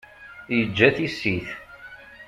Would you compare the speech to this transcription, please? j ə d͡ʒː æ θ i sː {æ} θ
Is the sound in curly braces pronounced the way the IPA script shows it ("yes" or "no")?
no